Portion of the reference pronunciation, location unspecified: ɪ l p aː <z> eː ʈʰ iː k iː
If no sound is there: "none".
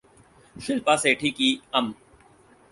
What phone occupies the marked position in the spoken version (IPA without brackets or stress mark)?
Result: s